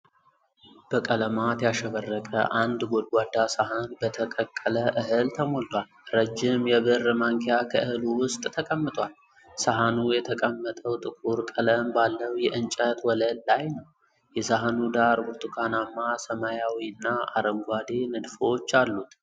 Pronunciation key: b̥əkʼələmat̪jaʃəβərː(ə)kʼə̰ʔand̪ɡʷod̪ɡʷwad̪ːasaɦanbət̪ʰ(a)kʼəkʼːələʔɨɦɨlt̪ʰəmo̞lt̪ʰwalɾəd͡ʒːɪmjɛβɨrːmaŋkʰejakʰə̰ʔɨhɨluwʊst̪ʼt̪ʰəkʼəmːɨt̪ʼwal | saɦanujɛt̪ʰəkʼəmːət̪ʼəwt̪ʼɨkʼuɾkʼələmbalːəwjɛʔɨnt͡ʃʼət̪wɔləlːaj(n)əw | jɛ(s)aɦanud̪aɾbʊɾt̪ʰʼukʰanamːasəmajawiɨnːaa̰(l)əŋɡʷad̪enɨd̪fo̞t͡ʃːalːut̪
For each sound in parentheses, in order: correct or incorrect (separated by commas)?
correct, incorrect, correct, correct, incorrect